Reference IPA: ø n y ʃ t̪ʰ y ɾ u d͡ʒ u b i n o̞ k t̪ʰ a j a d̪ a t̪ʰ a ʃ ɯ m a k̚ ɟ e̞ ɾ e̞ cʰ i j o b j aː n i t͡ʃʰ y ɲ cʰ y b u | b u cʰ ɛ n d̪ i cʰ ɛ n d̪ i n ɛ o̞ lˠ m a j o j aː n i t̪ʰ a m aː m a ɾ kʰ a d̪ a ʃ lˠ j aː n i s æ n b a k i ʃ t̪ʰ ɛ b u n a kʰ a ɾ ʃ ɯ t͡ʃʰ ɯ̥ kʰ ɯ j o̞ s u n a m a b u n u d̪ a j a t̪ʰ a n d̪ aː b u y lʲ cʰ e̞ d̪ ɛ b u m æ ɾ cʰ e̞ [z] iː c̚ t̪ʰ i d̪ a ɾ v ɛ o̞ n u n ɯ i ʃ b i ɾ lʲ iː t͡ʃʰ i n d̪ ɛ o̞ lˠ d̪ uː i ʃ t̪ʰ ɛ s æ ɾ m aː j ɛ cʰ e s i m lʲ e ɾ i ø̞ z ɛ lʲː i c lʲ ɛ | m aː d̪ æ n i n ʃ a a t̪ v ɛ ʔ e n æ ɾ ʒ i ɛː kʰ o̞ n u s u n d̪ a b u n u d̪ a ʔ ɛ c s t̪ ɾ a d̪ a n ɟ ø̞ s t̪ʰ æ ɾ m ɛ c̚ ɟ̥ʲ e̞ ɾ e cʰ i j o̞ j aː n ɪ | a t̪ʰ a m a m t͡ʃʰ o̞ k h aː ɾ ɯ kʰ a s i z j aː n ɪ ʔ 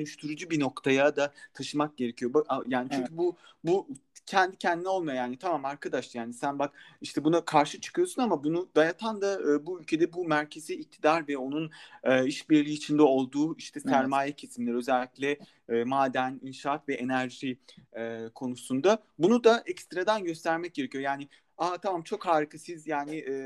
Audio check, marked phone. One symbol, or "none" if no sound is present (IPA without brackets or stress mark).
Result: z